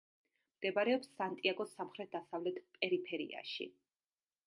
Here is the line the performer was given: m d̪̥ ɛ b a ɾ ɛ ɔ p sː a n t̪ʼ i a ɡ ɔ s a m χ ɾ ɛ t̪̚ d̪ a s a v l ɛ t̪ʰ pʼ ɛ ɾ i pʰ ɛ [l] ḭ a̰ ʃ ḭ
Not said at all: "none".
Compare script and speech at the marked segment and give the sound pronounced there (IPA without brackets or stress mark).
ɾ